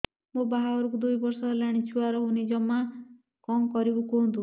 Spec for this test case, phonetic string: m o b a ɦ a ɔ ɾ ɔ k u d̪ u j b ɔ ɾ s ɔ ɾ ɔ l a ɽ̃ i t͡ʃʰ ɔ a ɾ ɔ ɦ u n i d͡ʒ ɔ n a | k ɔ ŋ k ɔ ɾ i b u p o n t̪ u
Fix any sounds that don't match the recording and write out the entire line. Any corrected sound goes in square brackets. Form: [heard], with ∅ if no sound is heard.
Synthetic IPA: m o b a ɦ a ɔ ɾ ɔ k u d̪ u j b ɔ ɾ s ɔ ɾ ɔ l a ɽ̃ i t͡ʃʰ [u] a ɾ ɔ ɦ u n i d͡ʒ ɔ [m] a | k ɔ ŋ k ɔ ɾ i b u [k] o n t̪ u